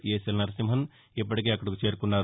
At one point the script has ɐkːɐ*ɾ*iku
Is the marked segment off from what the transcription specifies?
yes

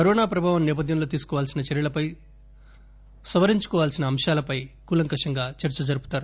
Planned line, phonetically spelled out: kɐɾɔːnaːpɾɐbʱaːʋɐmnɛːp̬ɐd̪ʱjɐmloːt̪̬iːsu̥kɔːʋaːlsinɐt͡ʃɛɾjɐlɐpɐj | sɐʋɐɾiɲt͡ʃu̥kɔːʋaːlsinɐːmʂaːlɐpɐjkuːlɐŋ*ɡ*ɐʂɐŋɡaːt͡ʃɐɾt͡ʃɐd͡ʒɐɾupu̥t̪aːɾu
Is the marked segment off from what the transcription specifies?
yes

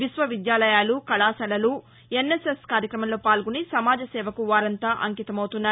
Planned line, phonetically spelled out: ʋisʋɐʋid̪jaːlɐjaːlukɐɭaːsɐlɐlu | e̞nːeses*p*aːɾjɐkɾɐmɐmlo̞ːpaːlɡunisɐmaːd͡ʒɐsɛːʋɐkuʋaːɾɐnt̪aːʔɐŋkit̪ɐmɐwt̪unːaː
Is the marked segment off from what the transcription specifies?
yes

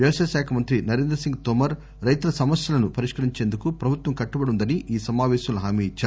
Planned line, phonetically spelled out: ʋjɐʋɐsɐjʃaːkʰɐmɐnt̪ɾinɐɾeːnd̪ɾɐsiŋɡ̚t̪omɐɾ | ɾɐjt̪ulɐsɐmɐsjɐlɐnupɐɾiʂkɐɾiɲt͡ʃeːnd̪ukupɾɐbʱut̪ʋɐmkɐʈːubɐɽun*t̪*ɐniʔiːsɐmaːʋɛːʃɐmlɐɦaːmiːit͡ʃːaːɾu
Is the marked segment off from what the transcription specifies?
yes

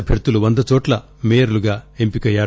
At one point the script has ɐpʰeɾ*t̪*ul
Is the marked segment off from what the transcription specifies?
no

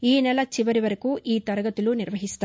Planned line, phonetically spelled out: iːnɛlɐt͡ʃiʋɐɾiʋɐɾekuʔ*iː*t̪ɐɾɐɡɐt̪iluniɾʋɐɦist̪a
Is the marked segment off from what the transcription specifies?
no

